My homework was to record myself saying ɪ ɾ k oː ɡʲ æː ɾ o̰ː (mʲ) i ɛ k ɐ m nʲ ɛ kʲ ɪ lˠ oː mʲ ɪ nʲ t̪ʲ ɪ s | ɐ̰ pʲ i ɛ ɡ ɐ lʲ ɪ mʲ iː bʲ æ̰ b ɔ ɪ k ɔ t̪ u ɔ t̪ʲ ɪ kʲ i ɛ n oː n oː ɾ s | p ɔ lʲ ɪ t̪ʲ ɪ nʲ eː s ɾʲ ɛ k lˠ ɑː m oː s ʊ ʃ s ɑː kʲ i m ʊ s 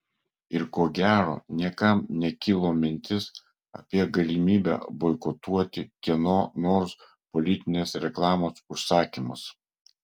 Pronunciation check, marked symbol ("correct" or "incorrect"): incorrect